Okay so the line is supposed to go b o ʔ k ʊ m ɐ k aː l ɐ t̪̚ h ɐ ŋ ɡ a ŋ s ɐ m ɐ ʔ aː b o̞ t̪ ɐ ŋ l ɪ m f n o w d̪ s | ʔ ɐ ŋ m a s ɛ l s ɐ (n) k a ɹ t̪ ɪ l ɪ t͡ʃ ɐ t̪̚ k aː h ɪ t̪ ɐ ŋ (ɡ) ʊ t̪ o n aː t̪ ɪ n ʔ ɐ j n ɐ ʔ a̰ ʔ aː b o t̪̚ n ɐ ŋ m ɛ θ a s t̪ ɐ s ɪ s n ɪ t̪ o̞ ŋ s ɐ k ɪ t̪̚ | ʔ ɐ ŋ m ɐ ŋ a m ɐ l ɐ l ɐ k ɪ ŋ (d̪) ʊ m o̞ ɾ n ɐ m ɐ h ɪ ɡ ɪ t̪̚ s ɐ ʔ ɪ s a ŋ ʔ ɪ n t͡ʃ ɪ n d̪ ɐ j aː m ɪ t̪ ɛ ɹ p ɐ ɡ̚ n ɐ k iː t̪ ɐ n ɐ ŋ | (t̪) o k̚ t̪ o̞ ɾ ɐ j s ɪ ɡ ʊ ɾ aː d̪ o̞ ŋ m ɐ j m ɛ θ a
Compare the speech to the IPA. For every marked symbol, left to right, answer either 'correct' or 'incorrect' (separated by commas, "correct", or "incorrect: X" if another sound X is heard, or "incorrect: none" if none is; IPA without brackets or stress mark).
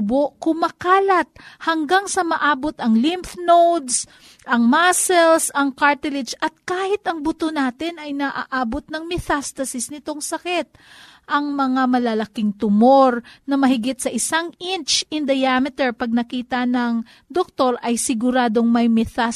incorrect: ŋ, incorrect: b, incorrect: t̪, incorrect: d̪